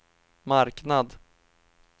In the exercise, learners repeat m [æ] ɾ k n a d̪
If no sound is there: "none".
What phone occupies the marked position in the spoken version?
a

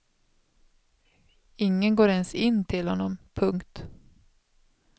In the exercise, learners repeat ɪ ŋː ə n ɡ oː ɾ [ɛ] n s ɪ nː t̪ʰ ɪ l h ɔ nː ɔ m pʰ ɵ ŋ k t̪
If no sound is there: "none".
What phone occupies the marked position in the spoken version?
ɛ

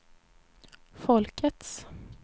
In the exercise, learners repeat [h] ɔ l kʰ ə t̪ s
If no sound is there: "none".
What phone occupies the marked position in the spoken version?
f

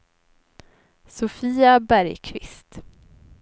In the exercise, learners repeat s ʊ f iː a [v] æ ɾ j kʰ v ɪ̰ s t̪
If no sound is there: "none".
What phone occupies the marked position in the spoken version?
b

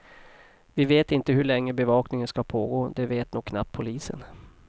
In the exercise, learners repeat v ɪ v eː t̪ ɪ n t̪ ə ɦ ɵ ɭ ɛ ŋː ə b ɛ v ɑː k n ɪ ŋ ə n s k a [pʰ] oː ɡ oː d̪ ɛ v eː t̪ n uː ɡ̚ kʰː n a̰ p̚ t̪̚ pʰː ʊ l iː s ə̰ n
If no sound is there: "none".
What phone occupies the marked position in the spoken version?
pʰ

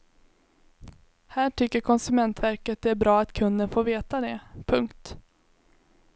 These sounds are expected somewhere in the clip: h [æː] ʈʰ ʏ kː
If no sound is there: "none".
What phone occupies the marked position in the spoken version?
æː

